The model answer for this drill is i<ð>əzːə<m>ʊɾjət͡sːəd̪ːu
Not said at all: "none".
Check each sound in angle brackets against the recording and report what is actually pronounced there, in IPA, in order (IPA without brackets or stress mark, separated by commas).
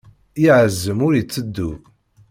ʕ, m